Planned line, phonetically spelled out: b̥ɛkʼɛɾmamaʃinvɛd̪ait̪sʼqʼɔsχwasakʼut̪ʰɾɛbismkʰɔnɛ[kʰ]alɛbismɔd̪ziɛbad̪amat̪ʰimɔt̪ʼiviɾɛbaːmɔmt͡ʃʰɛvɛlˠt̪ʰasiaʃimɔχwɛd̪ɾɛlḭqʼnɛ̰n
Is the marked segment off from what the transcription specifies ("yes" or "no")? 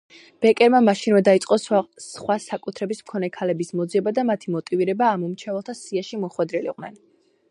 no